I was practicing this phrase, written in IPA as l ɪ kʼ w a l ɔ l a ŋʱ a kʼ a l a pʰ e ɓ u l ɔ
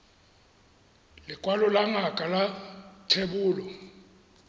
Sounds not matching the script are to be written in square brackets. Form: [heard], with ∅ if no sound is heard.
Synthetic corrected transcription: l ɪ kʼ w a l ɔ l a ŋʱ a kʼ a l a [tʰ] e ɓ [uː] l ɔ